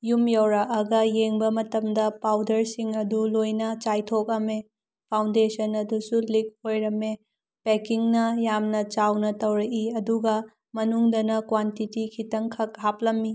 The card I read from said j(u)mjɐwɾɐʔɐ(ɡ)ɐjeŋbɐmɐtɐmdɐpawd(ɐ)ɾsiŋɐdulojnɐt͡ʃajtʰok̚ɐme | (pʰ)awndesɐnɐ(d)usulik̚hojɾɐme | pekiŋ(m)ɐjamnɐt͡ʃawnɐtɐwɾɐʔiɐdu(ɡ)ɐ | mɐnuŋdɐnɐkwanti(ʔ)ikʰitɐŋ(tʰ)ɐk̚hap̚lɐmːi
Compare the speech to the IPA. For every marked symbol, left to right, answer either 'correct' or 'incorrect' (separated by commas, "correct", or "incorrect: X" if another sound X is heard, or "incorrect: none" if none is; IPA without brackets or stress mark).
correct, correct, correct, correct, correct, incorrect: n, correct, incorrect: t, incorrect: kʰ